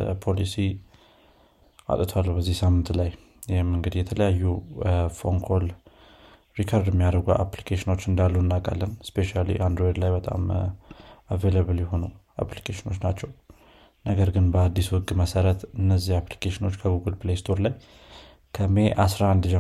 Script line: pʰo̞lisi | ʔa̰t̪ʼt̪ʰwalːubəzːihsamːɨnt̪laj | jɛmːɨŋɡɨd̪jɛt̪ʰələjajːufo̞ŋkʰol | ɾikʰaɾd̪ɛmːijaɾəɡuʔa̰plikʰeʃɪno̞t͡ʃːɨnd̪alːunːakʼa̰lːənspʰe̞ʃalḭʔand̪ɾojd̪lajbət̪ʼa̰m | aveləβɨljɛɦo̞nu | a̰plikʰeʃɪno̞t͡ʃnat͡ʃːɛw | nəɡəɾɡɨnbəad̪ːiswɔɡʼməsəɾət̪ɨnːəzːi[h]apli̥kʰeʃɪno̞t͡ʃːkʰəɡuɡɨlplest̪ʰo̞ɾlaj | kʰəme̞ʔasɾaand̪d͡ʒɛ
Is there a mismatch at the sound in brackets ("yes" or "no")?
no